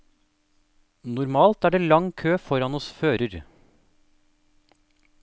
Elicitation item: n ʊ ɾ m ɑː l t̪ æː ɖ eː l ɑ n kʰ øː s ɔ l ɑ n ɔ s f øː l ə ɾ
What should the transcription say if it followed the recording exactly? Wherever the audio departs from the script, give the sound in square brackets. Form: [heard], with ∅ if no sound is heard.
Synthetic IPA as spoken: n ʊ ɾ m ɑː l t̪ æː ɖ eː l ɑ [ŋ] kʰ øː [f] ɔ [ɾ] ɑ n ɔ s f øː [ɾ] ə ɾ